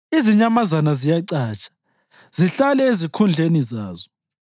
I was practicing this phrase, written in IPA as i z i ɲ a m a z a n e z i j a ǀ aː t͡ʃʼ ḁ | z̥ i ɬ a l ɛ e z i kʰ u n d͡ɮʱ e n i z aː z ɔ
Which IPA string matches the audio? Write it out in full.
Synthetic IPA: i z i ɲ a m a z a n a z i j a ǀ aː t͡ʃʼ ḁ | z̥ i ɬ a l ɛ e z i kʰ u n d͡ɮʱ e n i z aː z ɔ